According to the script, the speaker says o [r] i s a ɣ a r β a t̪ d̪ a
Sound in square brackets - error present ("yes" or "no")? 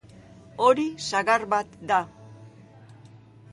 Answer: yes